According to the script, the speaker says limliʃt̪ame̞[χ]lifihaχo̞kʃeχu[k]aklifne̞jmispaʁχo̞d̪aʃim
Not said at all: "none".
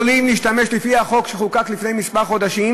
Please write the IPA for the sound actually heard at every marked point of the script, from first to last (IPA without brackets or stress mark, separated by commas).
ʃ, k